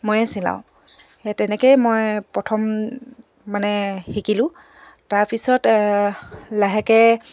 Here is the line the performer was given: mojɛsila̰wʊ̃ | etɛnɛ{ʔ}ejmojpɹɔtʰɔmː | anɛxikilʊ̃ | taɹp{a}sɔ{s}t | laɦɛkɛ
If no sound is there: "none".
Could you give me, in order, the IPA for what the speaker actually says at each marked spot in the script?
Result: k, i, none

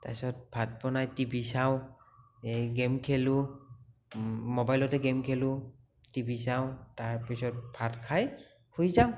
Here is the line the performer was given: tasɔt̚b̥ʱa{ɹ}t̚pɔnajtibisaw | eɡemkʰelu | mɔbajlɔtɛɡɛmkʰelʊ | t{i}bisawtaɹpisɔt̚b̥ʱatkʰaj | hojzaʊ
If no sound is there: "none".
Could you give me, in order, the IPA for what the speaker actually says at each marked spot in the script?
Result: none, i

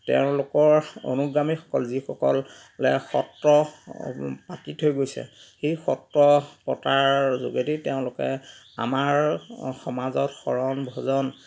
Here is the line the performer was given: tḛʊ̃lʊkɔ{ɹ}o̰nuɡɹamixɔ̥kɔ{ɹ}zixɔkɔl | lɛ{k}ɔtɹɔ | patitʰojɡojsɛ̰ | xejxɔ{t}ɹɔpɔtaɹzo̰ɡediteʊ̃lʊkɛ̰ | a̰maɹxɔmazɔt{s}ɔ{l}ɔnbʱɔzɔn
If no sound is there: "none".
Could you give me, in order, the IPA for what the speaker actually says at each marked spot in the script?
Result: ɹ, l, x, t, x, ɹ

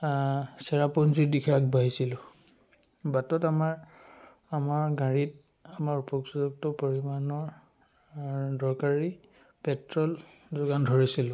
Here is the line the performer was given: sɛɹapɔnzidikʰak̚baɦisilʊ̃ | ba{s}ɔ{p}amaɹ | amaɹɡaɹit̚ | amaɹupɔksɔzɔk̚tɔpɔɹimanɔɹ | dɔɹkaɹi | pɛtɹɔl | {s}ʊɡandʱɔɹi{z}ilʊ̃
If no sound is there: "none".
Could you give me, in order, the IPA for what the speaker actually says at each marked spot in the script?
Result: t, t, z, s

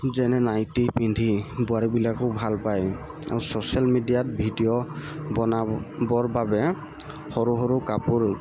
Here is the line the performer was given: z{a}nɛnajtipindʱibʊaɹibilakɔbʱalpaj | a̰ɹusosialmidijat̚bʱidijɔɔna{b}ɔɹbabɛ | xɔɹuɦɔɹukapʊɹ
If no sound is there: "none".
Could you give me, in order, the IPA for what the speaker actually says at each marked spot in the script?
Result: ɛ, b

